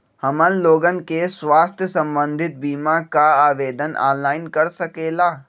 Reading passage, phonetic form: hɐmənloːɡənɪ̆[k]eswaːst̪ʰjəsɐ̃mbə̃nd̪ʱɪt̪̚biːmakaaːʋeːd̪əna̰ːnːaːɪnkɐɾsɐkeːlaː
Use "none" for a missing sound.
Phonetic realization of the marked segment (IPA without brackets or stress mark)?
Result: k